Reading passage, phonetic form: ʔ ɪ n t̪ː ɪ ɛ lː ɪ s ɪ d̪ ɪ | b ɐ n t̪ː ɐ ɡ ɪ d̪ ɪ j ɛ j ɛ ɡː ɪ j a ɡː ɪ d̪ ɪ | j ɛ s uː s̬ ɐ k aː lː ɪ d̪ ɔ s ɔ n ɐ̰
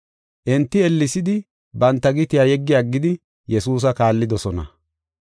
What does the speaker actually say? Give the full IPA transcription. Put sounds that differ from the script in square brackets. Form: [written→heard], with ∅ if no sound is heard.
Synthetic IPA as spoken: ʔ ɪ n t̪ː ɪ ɛ lː ɪ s ɪ d̪ ɪ | b ɐ n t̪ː ɐ ɡ ɪ [d̪→t̪] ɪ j [ɛ→a] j ɛ ɡː ɪ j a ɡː ɪ d̪ ɪ | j ɛ s uː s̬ ɐ k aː lː ɪ d̪ ɔ s ɔ n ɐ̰